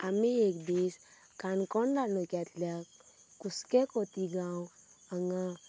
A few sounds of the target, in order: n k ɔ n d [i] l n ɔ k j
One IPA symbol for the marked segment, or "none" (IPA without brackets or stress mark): a